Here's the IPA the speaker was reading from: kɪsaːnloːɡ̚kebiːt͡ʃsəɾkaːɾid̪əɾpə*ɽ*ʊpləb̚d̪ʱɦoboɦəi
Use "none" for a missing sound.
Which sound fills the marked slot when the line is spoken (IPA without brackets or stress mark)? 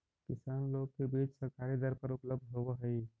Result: ɾ